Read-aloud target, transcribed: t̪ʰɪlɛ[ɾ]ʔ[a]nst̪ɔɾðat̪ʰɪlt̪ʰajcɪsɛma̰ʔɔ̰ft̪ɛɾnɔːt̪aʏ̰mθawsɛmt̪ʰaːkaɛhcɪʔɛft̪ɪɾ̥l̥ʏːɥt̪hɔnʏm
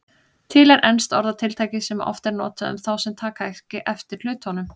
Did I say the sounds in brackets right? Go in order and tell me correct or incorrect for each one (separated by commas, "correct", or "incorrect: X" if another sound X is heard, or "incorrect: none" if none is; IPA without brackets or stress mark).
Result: correct, incorrect: ɛ